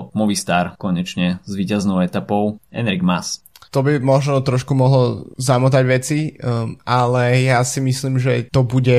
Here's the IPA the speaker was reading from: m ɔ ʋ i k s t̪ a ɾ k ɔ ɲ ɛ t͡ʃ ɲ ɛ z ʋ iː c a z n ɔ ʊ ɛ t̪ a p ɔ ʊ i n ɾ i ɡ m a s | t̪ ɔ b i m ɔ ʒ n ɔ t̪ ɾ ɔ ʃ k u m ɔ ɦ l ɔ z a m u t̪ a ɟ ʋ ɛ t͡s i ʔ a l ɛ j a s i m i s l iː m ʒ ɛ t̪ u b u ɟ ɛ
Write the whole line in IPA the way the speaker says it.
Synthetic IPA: m ɔ ʋ i s t̪ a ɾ k ɔ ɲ ɛ t͡ʃ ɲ ɛ z ʋ iː c a z n ɔ ʊ ɛ t̪ a p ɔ ʊ ɛ n ɾ i ɡ m a s | t̪ ɔ b i m ɔ ʒ n ɔ t̪ ɾ ɔ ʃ k u m ɔ ɦ l ɔ z a m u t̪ a ɟ ʋ ɛ t͡s i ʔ a l ɛ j a s i m i s l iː m ʒ ɛ t̪ ɔ b u ɟ ɛ